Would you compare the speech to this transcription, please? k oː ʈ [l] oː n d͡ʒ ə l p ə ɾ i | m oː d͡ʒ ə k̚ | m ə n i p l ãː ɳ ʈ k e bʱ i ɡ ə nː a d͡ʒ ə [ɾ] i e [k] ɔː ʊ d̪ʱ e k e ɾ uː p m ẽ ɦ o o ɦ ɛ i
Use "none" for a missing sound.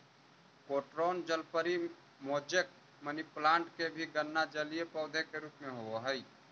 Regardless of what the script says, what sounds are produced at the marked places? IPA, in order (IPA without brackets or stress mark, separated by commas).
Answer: ɾ, l, p